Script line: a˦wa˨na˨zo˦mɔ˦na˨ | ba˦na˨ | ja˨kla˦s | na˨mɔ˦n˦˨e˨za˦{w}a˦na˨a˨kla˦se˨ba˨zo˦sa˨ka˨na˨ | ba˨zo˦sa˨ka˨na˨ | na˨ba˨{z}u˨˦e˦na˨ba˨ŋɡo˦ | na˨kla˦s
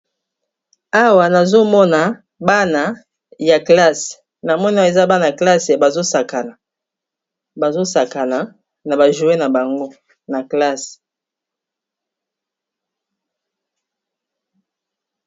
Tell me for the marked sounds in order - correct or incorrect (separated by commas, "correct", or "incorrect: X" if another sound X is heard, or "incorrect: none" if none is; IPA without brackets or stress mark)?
incorrect: b, incorrect: ʒ